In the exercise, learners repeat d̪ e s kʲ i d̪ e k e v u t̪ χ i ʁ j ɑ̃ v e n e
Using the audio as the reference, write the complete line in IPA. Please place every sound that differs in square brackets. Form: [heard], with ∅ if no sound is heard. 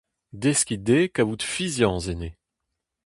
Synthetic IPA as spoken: d̪ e s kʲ i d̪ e k [a] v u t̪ [f] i [z] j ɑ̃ [z] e n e